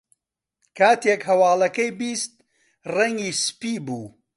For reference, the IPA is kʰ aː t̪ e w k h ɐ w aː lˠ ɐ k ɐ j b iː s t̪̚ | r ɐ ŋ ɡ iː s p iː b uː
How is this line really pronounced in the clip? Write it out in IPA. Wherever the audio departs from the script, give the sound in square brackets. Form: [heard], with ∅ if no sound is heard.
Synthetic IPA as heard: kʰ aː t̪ e [∅] k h ɐ w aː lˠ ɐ k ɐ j b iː s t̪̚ | r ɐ ŋ ɡ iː s p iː b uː